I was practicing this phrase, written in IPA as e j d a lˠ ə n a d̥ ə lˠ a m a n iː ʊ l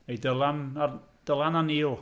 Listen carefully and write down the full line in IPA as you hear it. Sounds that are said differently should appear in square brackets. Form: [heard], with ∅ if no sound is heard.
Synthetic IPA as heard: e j d [ə] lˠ [a] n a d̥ ə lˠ a [n] a n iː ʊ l